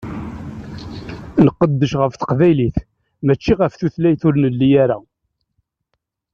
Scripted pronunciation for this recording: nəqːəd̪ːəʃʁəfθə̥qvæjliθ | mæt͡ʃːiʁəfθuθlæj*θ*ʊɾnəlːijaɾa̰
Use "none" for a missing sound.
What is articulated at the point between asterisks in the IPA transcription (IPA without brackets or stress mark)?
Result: θ